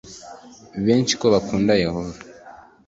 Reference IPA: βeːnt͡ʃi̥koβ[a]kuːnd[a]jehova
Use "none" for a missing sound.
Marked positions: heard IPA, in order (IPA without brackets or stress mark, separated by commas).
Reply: a, a